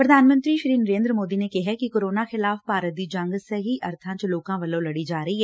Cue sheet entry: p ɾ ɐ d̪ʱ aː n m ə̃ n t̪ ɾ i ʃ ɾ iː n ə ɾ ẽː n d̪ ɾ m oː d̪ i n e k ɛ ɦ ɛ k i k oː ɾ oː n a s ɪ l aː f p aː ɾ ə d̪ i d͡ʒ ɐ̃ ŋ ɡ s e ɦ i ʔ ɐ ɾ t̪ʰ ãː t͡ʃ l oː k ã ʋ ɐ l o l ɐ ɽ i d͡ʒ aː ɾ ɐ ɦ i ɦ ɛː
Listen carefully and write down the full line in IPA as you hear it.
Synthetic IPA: p ɾ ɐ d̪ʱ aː n m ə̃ n t̪ ɾ i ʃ ɾ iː n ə ɾ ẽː n d̪ ɾ m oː d̪ i n e k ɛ ɦ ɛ k i k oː ɾ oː n a x ɪ l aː f p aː ɾ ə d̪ i d͡ʒ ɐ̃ ŋ ɡ s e ɦ i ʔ ɐ ɾ t̪ʰ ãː t͡ʃ l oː k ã ʋ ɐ l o l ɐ ɽ i d͡ʒ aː ɾ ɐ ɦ i ɦ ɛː